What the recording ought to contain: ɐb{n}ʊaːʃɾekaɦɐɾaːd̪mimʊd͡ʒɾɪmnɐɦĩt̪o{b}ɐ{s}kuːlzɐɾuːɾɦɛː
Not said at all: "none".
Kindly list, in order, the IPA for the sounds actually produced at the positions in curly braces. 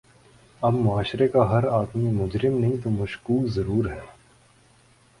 m, m, ʃ

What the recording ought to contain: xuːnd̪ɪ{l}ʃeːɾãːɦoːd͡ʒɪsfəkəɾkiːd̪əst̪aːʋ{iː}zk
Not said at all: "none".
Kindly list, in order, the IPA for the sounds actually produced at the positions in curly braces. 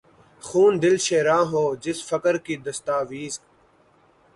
l, iː

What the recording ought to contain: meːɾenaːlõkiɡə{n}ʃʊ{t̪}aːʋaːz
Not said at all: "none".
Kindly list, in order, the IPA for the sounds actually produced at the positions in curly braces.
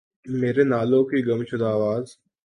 m, d̪

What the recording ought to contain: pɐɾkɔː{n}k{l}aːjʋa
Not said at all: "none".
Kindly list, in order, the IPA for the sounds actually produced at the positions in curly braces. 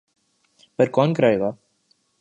n, ɾ

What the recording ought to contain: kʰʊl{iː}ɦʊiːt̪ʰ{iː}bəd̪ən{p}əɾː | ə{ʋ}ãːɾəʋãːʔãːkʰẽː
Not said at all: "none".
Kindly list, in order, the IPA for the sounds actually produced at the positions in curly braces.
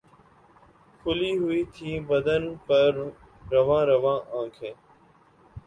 iː, iː, p, ʋ

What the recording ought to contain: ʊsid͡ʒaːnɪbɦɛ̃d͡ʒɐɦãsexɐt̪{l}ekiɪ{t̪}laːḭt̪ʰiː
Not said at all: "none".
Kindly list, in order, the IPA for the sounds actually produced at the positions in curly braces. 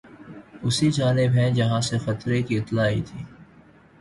ɾ, t̪

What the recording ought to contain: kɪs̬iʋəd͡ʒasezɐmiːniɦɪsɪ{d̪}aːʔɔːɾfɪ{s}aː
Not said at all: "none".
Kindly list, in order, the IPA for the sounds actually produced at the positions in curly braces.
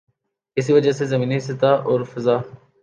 t̪, z

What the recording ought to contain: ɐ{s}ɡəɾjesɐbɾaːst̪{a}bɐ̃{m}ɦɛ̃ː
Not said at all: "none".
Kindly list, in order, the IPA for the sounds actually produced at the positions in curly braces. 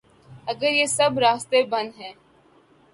none, e, n

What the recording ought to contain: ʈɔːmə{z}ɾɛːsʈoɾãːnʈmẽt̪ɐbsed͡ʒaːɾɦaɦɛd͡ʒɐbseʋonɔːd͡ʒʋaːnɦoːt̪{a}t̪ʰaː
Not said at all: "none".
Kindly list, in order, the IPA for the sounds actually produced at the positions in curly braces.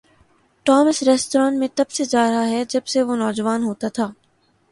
s, a

